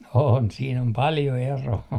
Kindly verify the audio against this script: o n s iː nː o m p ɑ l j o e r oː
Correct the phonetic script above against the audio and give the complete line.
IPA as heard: o n s iː n o m p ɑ l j o e r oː

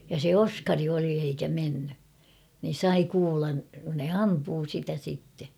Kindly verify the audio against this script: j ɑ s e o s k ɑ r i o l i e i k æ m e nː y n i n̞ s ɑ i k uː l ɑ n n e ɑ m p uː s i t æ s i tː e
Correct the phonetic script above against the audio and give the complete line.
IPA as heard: j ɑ s e o s k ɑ r i o l i e i k æ m e nː y n i n̞ s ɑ i k uː l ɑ n n e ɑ m p uː s i t æ s i tː e

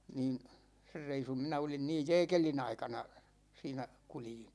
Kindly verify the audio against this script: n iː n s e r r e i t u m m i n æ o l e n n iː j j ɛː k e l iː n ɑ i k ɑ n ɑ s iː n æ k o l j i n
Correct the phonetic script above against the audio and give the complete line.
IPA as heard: n iː n s e r r e i s u m m i n æ o l i n n iː j j ɛː k e l i n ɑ i k ɑ n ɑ s iː n æ k u l j i n

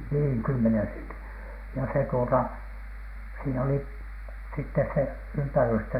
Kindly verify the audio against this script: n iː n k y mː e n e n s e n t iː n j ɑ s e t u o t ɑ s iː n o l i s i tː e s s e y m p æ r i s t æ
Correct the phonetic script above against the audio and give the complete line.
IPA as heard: n iː ŋ k y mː e n e n s e n t i n j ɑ s e t u o t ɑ s iː n o l i s i tː e s s e y m p æ r y s t æ

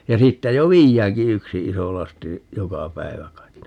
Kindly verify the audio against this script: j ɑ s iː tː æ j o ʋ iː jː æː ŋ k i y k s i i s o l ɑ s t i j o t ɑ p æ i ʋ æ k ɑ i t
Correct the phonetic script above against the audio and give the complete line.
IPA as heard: j ɑ s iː tː æ j o ʋ iː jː æː ŋ k i y k s i i s o l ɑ s t i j o k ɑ p æ i ʋ æ k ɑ i t

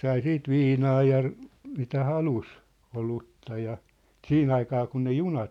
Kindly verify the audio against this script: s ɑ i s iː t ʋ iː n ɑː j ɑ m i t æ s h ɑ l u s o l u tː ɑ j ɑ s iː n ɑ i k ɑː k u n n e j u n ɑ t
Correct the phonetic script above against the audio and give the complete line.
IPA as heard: s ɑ i s iː t ʋ iː n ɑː j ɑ m i t æ h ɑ l u s o l u tː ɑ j ɑ s iː n ɑ i k ɑː k u n n e j u n ɑ t

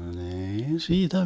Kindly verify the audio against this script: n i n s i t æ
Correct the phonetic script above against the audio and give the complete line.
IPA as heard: n iː n s iː t æ

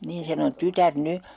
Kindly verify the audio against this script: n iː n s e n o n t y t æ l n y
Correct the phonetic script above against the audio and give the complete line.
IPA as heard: n iː n s e n o n t y t æ r n y

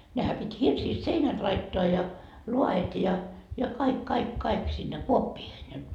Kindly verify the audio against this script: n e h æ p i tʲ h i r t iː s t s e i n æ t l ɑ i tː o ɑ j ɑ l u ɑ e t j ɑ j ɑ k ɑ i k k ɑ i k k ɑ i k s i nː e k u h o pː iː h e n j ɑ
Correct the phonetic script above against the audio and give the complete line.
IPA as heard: n e h æ p i tʲ h i r s iː s t s e i n æ t l ɑ i tː o ɑ j ɑ l u ɑ e t j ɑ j ɑ k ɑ i k k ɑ i k k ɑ i k s i nː e k u o pː iː h e n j ɑ

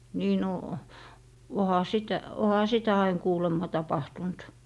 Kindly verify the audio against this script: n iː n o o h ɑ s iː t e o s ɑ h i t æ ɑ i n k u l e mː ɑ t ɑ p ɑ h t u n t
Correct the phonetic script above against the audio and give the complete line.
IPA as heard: n iː n o o h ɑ s i t æ o h ɑ s i t æ ɑ i n k uː l e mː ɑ t ɑ p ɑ h t u n t

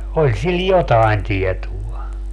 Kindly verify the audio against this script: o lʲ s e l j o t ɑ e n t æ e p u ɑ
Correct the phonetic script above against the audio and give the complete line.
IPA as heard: o lʲ s i l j o t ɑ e n t i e t u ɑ

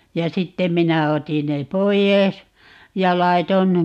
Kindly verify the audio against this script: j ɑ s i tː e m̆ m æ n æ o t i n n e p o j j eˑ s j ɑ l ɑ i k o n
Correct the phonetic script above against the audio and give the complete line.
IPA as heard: j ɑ s i tː e m̆ m i n æ o t i n n e p o i j eˑ s j ɑ l ɑ i t o n

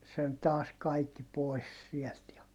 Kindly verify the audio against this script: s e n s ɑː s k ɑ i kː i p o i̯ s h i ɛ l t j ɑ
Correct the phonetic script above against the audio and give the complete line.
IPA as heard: s e n t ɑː s k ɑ i kː i p o i̯ s s i ɛ l t j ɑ

